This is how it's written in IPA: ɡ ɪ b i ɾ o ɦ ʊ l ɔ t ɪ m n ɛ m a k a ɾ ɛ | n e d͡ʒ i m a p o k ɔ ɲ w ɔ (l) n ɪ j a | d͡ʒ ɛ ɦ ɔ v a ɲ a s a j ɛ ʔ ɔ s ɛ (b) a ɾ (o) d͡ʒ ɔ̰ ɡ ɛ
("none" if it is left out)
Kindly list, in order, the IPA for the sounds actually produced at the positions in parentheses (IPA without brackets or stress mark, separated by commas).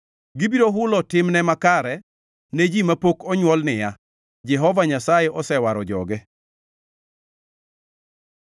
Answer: l, w, ɔ